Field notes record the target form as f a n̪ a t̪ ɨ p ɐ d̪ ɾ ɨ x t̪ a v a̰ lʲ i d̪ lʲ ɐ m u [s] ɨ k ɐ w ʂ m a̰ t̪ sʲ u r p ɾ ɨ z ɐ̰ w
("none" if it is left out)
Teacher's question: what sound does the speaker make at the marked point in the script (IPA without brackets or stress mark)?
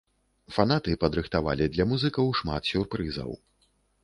z